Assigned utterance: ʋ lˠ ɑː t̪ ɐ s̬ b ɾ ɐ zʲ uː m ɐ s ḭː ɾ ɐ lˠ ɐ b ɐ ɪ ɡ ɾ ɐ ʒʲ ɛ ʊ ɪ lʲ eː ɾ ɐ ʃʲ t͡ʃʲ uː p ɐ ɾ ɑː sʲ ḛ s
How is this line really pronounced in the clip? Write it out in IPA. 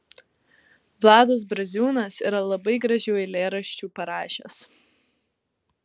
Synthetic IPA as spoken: ʋ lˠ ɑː d̪ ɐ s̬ b ɾ ɐ zʲ uː n ɐ s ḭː ɾ ɐ lˠ ɐ b ɐ ɪ ɡ ɾ ɐ ʒʲ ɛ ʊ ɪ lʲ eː ɾ ɐ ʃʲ t͡ʃʲ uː p ɐ ɾ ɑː ʃʲ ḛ s

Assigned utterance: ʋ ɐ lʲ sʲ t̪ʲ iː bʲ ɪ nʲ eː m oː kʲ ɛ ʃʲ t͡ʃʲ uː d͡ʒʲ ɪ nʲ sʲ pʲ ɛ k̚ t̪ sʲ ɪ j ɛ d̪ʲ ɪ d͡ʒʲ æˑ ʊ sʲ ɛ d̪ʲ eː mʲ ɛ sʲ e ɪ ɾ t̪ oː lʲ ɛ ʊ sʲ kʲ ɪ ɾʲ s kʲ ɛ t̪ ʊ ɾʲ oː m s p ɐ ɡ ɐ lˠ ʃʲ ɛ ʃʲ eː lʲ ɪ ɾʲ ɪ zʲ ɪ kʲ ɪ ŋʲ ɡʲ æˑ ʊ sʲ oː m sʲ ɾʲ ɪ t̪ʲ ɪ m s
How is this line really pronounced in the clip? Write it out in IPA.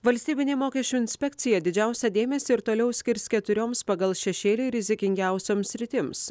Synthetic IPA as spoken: ʋ ɐ lʲ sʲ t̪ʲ iː bʲ ɪ nʲ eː m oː kʲ ɛ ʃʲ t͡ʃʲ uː ɪ nʲ sʲ pʲ ɛ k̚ t̪ sʲ ɪ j ɛ d̪ʲ ɪ d͡ʒʲ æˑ ʊ sʲ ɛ d̪ʲ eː mʲ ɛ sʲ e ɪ ɾ t̪ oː lʲ ɛ ʊ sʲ kʲ ɪ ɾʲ s kʲ ɛ t̪ ʊ ɾʲ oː m s p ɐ ɡ ɐ lˠ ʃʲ ɛ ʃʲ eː lʲ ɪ ɾʲ ɪ zʲ ɪ kʲ ɪ ŋʲ ɡʲ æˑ ʊ sʲ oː m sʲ ɾʲ ɪ t̪ʲ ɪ m s

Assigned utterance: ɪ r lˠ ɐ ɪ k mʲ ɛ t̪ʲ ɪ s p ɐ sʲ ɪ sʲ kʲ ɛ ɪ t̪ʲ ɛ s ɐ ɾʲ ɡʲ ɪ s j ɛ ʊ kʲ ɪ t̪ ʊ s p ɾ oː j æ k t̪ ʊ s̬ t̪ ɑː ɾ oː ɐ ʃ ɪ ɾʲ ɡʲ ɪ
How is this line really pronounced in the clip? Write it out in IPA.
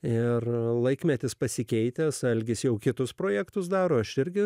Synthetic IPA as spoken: ɪ r lˠ ɐ ɪ k mʲ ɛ t̪ʲ ɪ s p ɐ sʲ ɪ kʲ ɛ ɪ t̪ʲ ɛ s ɐ lʲ ɡʲ ɪ s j ɛ ʊ kʲ ɪ t̪ ʊ s p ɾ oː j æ k t̪ ʊ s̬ d̪ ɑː ɾ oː ɐ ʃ ɪ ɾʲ ɡʲ ɪ

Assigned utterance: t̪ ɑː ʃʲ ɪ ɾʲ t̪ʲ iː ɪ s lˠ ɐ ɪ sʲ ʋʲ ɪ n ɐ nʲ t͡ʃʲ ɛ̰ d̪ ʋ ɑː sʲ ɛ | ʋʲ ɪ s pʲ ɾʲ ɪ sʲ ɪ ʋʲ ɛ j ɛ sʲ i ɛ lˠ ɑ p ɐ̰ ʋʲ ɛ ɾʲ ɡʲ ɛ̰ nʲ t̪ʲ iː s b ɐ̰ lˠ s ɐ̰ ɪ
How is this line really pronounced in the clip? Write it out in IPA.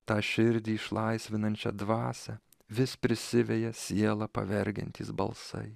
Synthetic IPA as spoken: t̪ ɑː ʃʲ ɪ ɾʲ d̪ʲ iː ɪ ʃ lˠ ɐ ɪ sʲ ʋʲ ɪ n ɐ nʲ t͡ʃʲ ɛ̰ d̪ ʋ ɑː sʲ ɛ | ʋʲ ɪ s pʲ ɾʲ ɪ sʲ ɪ ʋʲ ɛ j ɛ sʲ i ɛ lˠ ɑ p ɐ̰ ʋʲ ɛ ɾʲ ɡʲ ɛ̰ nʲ t̪ʲ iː s b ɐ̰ lˠ s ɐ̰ ɪ

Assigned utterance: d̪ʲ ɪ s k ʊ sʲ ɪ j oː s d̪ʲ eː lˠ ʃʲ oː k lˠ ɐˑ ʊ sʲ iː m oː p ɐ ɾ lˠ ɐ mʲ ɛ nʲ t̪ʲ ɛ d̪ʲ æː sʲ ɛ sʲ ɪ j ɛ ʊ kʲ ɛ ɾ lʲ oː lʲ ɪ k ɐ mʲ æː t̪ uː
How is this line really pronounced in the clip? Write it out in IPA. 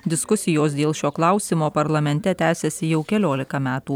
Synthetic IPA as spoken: d̪ʲ ɪ s k ʊ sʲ ɪ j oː s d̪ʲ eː lˠ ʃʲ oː k lˠ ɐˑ ʊ sʲ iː m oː p ɐ ɾ lˠ ɐ mʲ ɛ nʲ t̪ʲ ɛ t̪ʲ æː sʲ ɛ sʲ ɪ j ɛ ʊ kʲ ɛ lʲ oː lʲ ɪ k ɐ mʲ æː t̪ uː

